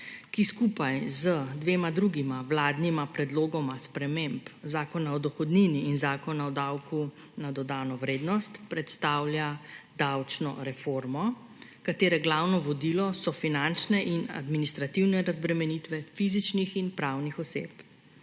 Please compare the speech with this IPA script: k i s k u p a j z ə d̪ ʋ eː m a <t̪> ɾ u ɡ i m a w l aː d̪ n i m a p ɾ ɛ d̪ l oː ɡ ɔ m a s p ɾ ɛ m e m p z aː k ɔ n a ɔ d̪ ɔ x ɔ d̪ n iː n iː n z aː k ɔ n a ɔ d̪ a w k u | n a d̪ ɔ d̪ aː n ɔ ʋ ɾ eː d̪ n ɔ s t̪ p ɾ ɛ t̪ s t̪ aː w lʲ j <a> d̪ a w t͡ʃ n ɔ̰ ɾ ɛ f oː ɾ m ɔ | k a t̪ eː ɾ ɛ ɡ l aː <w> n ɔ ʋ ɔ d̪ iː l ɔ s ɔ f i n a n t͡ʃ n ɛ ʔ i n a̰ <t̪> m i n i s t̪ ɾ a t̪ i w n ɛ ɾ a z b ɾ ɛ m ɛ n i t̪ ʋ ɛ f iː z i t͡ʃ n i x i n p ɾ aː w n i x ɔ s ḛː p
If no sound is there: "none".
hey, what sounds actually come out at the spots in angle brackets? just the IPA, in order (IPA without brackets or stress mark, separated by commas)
d̪, a, w, d̪